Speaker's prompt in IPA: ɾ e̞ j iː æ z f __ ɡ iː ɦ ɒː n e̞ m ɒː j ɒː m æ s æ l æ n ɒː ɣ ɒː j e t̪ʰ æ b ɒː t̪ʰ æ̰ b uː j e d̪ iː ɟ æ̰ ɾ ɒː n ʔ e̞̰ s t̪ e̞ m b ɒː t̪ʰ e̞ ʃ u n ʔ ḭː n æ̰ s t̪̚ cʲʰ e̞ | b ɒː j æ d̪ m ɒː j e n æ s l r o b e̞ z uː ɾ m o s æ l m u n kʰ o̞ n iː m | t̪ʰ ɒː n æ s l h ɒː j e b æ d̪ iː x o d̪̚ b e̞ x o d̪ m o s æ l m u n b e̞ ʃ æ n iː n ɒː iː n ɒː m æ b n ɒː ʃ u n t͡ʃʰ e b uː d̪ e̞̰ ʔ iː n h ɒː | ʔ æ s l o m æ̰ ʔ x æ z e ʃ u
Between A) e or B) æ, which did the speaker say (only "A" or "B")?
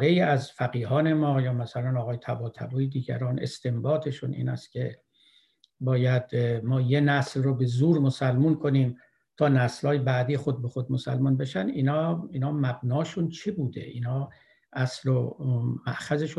B